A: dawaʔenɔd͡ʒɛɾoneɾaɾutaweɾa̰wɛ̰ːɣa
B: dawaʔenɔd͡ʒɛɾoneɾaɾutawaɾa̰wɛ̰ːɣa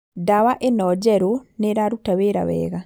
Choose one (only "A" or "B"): A